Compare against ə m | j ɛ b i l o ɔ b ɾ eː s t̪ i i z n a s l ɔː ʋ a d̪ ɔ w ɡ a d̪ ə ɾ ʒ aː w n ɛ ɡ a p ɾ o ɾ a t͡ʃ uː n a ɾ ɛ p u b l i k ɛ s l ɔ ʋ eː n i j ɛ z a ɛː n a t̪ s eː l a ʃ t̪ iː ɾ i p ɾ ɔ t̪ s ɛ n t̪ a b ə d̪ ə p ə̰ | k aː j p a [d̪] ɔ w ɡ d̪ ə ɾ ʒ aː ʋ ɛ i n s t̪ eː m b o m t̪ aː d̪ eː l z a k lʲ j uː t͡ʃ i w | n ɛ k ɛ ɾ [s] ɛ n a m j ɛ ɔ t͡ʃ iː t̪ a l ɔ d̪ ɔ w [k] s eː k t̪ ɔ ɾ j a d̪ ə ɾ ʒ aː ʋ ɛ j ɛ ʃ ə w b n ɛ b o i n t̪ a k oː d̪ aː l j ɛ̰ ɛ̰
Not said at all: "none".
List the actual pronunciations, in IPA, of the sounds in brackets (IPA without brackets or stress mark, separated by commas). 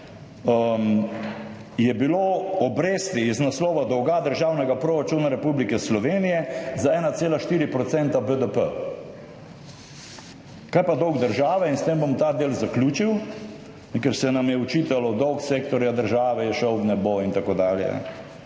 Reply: d̪, s, k